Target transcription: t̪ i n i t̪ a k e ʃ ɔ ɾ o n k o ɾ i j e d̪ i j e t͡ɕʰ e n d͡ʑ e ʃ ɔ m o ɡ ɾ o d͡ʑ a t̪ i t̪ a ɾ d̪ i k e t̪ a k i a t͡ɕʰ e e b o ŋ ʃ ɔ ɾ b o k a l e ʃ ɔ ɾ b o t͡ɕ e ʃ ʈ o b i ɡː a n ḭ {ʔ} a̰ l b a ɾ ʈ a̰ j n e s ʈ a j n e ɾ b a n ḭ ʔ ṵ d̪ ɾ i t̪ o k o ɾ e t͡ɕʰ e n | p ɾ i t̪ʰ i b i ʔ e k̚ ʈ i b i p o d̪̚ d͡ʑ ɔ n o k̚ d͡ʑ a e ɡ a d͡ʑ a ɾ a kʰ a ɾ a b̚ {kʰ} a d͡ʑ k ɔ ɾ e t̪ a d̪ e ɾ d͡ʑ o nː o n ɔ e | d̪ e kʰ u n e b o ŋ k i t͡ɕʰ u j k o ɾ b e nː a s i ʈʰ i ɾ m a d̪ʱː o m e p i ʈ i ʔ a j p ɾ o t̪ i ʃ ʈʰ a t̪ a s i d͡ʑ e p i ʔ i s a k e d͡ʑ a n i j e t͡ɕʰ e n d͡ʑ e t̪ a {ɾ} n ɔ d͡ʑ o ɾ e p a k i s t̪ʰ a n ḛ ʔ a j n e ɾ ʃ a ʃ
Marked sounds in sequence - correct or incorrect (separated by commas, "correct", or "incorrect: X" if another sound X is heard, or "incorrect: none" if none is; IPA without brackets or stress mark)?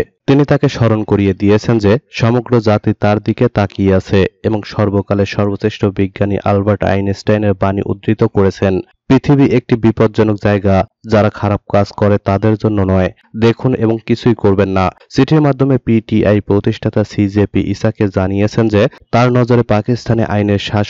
correct, incorrect: k, correct